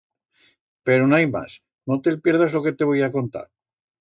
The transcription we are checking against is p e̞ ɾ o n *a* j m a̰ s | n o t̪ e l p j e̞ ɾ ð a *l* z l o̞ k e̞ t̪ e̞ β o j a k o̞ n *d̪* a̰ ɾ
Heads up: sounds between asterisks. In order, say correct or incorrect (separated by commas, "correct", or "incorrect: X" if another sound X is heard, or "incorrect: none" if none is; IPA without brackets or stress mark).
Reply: correct, incorrect: none, incorrect: t̪